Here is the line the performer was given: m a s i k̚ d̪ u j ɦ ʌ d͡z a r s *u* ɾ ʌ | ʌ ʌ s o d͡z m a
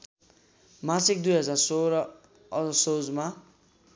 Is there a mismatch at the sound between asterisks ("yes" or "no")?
yes